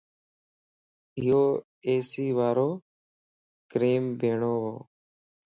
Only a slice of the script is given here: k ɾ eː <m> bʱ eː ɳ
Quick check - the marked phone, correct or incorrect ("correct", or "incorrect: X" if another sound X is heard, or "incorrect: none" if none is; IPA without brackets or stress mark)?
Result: correct